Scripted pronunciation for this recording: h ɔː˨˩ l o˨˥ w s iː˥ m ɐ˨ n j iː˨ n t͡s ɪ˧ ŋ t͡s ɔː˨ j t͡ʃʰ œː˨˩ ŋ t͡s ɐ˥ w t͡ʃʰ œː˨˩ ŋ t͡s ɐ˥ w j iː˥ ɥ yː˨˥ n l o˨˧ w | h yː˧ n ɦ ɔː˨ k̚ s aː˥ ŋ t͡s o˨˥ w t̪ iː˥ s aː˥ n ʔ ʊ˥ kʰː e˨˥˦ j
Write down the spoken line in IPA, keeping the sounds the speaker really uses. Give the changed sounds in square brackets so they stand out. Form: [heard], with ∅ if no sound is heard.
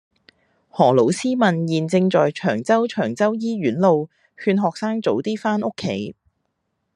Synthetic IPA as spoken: h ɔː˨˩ l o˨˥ w s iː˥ m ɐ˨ n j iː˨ n t͡s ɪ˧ ŋ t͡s ɔː˨ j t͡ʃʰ œː˨˩ ŋ t͡s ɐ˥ w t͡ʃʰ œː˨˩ ŋ t͡s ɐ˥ w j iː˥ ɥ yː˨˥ n l o˨˧ w | h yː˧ n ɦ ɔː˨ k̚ s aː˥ ŋ t͡s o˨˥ w t̪ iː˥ [f] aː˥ n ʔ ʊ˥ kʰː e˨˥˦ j